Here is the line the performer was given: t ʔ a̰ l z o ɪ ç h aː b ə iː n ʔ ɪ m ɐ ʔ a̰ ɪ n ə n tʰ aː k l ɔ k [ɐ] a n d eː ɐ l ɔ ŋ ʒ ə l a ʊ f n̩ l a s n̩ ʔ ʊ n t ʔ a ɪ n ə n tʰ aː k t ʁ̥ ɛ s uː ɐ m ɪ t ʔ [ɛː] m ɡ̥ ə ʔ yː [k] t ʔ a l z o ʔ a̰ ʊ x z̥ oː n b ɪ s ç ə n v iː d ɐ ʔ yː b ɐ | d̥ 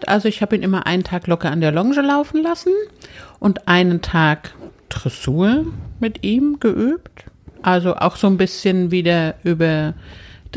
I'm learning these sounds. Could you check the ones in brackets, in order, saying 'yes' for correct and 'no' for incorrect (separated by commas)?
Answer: yes, no, no